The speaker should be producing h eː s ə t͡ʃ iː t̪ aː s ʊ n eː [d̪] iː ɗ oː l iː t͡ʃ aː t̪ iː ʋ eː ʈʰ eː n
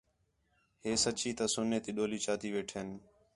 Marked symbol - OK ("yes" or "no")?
no